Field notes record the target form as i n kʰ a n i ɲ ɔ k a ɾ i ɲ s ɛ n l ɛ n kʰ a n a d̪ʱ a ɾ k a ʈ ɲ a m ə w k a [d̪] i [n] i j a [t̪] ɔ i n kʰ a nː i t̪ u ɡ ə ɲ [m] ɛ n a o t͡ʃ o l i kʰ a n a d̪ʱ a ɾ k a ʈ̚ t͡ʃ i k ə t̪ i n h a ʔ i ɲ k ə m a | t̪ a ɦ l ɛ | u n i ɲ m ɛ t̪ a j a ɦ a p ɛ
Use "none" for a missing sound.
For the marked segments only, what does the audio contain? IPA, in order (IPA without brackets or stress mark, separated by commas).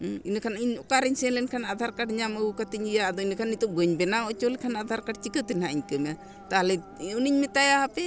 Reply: t̪, ɲ, d̪, b